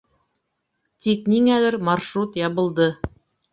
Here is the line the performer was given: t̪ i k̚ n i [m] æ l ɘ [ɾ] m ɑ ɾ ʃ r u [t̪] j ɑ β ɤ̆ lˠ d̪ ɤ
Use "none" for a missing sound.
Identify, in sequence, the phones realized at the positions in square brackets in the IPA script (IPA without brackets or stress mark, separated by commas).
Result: ŋ, ɾ, t̪